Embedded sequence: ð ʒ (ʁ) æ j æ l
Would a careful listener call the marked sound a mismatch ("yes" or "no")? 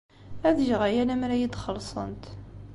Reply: no